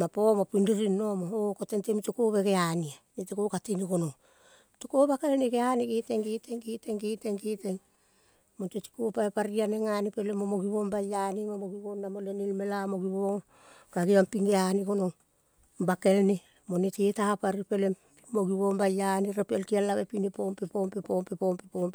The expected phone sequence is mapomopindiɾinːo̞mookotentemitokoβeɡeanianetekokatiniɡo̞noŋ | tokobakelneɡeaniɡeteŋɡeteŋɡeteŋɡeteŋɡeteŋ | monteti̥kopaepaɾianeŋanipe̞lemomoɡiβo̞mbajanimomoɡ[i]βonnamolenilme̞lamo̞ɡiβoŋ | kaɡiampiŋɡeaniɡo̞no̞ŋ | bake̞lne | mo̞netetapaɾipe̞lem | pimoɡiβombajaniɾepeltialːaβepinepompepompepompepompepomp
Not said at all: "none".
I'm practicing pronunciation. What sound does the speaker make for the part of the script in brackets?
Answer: i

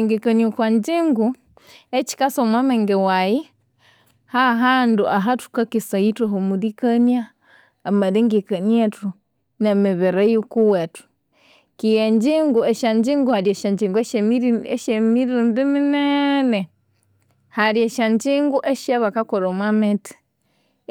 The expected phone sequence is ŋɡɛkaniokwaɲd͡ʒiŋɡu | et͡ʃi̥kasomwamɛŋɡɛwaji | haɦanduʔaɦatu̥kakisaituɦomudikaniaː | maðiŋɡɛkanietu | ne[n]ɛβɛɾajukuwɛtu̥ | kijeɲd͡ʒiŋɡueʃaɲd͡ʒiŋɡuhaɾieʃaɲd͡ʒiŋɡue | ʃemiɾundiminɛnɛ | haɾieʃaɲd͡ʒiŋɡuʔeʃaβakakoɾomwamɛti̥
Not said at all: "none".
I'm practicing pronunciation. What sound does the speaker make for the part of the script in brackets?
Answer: m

